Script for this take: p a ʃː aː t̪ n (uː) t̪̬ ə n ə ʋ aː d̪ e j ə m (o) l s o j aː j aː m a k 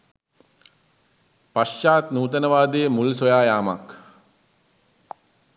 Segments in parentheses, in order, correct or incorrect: correct, incorrect: u

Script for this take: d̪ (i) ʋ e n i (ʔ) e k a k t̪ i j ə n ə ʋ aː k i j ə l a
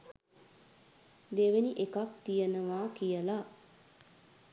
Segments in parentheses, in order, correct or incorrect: incorrect: e, correct

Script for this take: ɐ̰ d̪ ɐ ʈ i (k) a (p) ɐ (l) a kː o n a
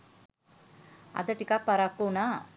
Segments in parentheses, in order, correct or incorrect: correct, correct, incorrect: ɾ

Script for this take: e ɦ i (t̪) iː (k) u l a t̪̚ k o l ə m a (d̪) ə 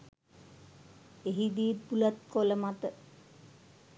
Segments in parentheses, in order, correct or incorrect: incorrect: d̪, incorrect: p, incorrect: t̪

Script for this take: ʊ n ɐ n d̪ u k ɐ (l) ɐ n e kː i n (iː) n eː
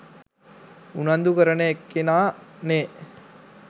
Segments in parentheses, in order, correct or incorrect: incorrect: ɾ, incorrect: aː

